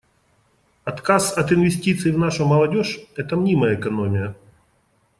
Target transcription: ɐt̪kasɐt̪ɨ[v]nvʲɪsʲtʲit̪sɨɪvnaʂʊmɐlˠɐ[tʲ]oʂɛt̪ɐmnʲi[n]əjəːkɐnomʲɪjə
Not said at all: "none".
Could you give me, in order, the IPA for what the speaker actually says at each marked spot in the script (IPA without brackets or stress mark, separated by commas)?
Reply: none, dʲ, m